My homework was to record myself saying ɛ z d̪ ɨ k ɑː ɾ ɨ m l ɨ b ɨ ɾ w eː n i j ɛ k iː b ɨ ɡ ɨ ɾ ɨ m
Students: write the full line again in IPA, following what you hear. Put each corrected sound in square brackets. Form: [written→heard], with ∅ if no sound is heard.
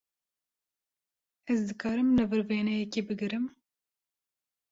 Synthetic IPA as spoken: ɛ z d̪ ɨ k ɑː ɾ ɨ m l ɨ [b→v] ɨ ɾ [w→v] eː n [i→ɛ] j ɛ k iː b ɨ ɡ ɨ ɾ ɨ m